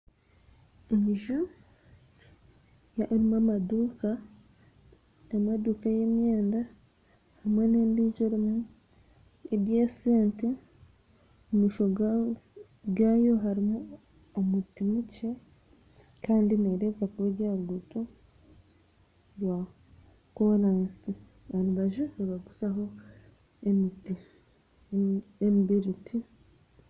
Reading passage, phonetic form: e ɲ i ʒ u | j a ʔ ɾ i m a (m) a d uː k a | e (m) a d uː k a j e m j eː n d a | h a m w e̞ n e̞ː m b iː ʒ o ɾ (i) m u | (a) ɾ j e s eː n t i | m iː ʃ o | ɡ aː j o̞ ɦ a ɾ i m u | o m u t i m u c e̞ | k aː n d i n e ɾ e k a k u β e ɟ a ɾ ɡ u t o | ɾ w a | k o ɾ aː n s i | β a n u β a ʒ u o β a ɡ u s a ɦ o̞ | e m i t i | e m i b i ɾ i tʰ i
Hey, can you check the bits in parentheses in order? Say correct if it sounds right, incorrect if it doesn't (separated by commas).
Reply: correct, correct, correct, incorrect